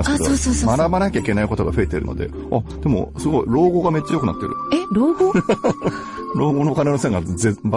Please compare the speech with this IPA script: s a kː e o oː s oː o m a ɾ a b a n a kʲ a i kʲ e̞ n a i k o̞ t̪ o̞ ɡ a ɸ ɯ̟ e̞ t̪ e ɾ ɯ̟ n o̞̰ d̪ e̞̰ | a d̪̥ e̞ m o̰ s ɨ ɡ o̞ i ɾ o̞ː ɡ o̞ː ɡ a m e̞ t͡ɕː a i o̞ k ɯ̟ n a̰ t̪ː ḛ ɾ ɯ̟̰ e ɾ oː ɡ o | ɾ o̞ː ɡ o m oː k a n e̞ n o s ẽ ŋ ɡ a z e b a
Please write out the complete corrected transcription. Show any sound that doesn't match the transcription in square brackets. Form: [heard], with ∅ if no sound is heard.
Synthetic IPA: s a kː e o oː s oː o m a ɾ a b a n a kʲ a i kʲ e̞ n a i k o̞ t̪ o̞ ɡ a ɸ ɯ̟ e̞ t̪ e ɾ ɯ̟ n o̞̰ d̪ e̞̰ | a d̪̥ e̞ m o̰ s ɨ ɡ o̞ i ɾ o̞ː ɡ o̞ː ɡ a m e̞ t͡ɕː a [j] o̞ k ɯ̟ n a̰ t̪ː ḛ ɾ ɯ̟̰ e ɾ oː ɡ o | ɾ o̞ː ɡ o [n] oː k a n e̞ n o s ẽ ŋ ɡ a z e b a